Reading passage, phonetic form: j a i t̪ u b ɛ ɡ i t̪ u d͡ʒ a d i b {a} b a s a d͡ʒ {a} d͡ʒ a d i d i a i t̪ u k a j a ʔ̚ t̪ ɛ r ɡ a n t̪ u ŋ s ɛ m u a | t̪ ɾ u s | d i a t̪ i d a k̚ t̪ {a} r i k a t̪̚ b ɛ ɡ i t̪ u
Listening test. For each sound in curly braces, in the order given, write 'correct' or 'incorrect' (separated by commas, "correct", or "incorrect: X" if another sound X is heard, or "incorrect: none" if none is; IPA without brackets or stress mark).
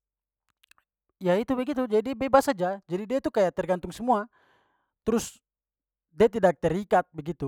incorrect: ɛ, correct, incorrect: ɛ